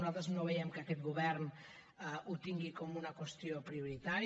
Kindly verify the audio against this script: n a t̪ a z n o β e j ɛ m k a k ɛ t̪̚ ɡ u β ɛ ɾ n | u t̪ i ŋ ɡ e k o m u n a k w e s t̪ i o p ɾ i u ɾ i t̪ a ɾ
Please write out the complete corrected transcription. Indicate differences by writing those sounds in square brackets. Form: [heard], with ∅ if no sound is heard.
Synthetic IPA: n a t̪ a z n o β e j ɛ m k a k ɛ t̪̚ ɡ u β ɛ ɾ n | u t̪ i ŋ ɡ [i] k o m u n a k w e s t̪ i o p ɾ i u ɾ i t̪ a ɾ